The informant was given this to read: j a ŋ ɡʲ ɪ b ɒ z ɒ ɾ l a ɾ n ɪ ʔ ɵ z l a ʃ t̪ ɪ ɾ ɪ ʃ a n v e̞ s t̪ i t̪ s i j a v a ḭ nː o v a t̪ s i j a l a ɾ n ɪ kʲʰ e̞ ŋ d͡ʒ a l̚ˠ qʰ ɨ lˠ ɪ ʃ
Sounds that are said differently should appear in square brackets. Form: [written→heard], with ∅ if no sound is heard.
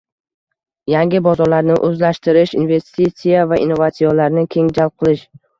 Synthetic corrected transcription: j a ŋ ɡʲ ɪ b ɒ z ɒ ɾ l a ɾ n ɪ ʔ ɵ z l a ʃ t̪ ɪ ɾ ɪ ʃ [a→i] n v e̞ s t̪ i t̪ s i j a v a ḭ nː o v a t̪ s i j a l a ɾ n ɪ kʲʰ e̞ ŋ d͡ʒ a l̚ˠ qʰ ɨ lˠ ɪ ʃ